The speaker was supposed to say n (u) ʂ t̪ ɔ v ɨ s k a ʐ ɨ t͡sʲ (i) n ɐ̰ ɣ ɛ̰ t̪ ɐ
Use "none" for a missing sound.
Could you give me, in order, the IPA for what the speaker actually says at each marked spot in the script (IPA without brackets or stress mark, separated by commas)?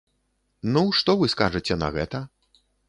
u, ɛ